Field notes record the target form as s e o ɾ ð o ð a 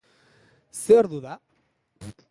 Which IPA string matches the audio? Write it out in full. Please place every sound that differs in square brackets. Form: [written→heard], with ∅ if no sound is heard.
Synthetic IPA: s e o ɾ ð [o→u] ð a